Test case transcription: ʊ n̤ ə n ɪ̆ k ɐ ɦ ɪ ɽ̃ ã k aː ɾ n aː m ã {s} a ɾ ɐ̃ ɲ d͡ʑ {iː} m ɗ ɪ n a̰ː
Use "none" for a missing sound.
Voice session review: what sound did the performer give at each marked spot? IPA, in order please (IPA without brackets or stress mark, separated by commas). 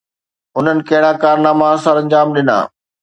s, aː